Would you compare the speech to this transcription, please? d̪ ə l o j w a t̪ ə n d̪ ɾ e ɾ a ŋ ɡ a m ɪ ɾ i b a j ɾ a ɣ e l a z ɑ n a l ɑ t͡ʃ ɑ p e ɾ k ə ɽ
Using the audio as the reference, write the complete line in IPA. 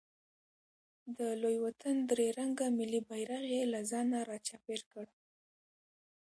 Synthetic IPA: d̪ ə l o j w a t̪ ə n d̪ ɾ e ɾ a ŋ ɡ a m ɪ l i b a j ɾ a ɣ e l a z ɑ n a ɾ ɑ t͡ʃ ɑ p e ɾ k ə ɽ